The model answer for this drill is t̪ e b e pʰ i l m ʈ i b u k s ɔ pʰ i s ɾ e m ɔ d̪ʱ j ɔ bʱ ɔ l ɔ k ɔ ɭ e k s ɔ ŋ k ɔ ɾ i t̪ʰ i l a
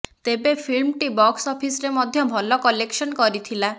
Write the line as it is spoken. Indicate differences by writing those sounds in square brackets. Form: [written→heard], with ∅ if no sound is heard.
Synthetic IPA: t̪ e b e pʰ i l m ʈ i b [u→ɔ] k s ɔ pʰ i s ɾ e m ɔ d̪ʱ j ɔ bʱ ɔ l ɔ k ɔ [ɭ→l] e k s ɔ [ŋ→n] k ɔ ɾ i t̪ʰ i l a